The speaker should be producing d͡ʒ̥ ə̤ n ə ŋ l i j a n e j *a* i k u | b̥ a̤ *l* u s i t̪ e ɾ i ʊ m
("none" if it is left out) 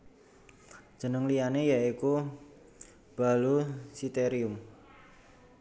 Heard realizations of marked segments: a, l

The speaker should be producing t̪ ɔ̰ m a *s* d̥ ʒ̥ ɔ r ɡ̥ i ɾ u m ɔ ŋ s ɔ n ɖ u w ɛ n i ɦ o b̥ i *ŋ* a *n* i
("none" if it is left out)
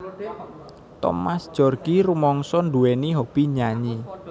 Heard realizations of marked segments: s, ɲ, ɲ

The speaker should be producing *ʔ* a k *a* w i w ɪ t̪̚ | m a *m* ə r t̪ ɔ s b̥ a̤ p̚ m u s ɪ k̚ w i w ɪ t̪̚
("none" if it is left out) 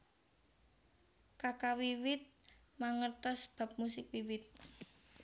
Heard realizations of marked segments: k, a, ŋ

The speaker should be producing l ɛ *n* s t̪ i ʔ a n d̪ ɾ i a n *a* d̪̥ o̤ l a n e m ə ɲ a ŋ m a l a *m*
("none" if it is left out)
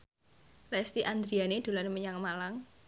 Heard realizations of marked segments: none, e, ŋ

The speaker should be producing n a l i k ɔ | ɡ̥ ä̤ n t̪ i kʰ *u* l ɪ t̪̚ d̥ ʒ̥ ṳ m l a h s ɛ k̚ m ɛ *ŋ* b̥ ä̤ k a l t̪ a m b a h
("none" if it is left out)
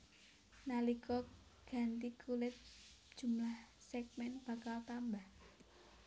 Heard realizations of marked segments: u, n

